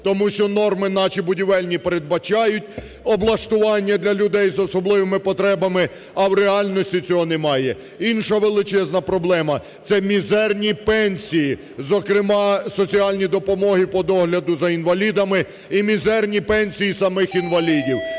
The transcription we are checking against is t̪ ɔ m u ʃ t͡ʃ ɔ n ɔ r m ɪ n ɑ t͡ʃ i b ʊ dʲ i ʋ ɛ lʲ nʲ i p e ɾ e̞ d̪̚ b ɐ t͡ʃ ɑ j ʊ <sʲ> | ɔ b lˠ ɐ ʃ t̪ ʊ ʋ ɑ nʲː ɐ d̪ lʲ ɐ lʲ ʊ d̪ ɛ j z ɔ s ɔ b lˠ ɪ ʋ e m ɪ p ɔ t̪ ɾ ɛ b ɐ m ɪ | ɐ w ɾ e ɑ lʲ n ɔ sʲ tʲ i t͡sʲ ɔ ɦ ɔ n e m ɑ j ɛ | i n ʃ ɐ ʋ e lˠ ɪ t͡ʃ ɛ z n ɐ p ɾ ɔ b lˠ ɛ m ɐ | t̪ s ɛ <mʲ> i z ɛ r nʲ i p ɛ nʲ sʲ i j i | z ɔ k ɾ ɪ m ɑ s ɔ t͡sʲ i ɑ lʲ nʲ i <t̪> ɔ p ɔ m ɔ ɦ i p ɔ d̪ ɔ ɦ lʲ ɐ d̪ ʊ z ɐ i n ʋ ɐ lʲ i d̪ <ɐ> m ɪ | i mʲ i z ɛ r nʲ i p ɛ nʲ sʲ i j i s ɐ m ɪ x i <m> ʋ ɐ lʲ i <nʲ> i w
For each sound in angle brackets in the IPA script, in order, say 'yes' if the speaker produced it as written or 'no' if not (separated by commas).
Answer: no, yes, no, yes, no, no